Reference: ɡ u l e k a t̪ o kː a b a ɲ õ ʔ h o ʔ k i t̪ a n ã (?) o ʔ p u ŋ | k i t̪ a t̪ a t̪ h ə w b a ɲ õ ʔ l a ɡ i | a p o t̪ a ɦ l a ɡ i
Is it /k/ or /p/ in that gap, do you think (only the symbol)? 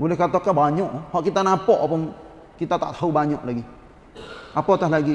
p